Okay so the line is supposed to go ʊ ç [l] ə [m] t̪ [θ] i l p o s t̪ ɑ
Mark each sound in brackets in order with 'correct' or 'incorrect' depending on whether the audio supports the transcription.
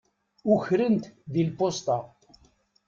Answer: incorrect, incorrect, incorrect

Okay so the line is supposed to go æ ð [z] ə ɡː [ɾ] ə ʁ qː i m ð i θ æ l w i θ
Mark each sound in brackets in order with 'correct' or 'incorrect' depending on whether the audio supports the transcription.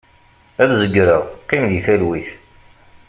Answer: correct, correct

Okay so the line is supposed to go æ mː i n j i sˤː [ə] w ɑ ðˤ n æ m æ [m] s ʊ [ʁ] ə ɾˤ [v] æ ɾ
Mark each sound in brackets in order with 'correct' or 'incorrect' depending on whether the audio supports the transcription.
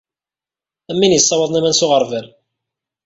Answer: incorrect, incorrect, correct, correct

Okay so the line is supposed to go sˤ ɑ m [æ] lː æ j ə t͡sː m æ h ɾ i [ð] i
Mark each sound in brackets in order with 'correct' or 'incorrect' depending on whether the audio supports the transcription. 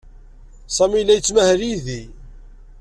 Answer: incorrect, correct

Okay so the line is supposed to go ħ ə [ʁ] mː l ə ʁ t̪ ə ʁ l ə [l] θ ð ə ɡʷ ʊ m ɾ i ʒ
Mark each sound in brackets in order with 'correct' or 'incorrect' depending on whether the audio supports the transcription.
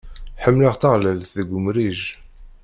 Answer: incorrect, correct

